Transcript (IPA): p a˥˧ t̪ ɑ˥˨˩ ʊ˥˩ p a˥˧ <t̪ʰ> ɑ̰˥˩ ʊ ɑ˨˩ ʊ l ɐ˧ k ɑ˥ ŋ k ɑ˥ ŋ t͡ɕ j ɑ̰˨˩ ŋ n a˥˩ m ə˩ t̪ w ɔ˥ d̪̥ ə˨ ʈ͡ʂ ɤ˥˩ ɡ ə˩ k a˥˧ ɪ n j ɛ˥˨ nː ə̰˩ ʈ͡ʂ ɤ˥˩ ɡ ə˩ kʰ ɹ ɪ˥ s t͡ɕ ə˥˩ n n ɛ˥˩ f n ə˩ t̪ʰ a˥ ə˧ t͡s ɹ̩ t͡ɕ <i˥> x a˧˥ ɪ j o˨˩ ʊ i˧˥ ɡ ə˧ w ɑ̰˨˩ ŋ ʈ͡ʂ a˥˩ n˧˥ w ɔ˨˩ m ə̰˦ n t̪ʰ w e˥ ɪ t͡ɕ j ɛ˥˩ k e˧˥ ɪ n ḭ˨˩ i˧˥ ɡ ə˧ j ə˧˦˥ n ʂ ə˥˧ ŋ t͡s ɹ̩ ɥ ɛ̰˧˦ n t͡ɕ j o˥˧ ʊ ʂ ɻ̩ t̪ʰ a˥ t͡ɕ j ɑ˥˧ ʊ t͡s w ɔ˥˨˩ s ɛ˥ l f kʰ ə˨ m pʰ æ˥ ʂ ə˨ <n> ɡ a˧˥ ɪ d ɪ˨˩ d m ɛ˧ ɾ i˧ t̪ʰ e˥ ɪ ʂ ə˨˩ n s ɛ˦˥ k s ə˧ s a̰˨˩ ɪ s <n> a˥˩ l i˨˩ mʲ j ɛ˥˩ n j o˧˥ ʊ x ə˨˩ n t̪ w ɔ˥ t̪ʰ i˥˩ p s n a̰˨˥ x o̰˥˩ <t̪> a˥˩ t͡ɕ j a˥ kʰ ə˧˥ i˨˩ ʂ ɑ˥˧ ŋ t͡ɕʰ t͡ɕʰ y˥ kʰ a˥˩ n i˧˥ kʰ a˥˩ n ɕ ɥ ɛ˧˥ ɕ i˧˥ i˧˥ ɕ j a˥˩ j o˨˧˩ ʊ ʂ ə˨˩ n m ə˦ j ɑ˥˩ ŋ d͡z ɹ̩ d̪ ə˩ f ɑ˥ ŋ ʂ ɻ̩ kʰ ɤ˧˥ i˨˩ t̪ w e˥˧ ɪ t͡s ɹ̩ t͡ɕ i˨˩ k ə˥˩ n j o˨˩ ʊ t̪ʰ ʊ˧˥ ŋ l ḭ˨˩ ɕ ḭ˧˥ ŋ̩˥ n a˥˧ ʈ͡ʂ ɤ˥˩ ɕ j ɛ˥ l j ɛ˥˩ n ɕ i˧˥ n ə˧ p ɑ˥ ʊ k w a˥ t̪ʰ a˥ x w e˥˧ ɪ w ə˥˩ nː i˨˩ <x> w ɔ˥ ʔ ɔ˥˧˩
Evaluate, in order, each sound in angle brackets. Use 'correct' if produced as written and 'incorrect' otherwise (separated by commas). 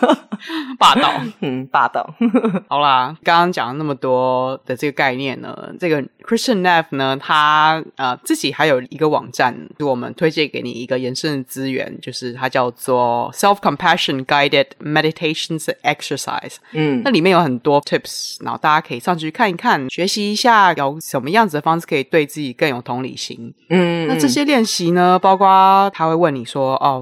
incorrect, incorrect, correct, correct, correct, incorrect